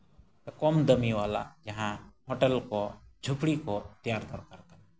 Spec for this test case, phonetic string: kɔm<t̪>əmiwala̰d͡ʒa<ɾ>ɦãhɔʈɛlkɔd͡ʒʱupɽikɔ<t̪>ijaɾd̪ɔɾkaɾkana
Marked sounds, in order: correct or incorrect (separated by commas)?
incorrect, incorrect, correct